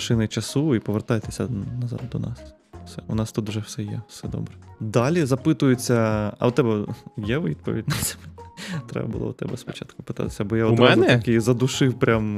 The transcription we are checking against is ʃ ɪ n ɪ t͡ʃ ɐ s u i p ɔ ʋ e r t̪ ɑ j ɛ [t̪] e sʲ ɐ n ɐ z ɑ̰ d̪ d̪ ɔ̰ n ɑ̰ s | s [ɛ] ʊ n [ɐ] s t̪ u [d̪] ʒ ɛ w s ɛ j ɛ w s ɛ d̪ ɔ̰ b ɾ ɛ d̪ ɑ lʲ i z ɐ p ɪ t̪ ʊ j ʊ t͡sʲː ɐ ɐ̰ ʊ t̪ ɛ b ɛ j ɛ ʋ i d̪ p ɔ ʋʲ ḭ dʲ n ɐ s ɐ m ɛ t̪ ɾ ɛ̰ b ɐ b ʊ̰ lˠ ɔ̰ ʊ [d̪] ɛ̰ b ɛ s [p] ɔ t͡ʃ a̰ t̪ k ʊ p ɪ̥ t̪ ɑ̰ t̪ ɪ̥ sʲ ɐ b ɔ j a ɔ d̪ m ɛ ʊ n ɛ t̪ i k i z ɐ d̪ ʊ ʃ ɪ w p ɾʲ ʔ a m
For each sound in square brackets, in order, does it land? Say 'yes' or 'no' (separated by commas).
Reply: yes, yes, no, no, no, yes